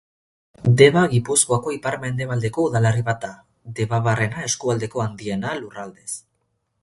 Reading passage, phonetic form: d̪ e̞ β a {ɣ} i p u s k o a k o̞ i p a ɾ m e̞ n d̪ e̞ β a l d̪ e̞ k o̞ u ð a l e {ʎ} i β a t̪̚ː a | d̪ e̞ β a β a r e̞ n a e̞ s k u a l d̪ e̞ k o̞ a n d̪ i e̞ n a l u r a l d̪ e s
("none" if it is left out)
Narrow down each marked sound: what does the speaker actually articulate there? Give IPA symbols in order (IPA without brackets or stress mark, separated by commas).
ɣ, r